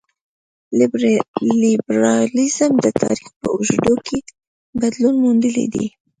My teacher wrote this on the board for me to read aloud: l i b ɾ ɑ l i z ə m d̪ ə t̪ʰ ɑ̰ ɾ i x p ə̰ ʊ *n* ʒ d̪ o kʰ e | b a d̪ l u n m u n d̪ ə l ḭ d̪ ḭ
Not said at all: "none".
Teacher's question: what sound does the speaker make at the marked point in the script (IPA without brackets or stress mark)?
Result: none